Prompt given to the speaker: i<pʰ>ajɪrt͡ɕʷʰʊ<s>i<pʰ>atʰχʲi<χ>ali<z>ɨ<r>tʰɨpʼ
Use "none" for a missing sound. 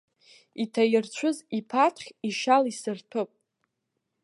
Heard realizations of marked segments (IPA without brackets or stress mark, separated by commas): tʰ, z, pʰ, ʃ, s, r